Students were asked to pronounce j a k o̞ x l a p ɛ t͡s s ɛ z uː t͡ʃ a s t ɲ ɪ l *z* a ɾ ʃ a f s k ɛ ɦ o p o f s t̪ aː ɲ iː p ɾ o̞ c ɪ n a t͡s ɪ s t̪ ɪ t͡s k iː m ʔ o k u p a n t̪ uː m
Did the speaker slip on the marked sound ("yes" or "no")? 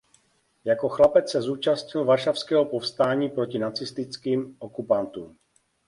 yes